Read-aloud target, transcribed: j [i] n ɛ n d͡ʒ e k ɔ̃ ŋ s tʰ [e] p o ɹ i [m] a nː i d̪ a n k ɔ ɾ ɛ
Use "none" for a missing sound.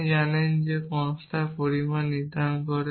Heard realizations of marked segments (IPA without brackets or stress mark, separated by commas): a, a, m